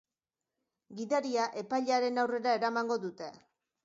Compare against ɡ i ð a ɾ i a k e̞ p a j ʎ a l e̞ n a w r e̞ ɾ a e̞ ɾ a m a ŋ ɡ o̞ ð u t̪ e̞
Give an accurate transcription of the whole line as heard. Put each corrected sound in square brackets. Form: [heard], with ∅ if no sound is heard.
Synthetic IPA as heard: ɡ i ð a ɾ i a [ʔ] e̞ p a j ʎ a [ɾ] e̞ n a w r e̞ ɾ a e̞ ɾ a m a ŋ ɡ o̞ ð u t̪ e̞